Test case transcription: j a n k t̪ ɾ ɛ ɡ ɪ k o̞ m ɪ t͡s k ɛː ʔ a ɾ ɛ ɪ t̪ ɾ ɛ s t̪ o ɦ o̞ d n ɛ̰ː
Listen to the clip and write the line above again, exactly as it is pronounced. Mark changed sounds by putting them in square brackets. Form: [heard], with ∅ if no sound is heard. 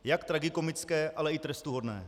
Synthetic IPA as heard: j a [∅] k t̪ ɾ [a] ɡ ɪ k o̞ m ɪ t͡s k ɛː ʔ a [l] ɛ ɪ t̪ ɾ ɛ s t̪ [u] ɦ o̞ d n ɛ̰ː